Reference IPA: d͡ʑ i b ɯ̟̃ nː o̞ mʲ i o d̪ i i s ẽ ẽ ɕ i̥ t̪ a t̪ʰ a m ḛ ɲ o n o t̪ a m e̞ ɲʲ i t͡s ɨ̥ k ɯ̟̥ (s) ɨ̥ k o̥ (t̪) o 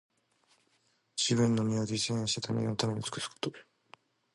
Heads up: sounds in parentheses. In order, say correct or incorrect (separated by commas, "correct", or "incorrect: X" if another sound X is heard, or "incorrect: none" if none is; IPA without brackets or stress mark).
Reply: correct, correct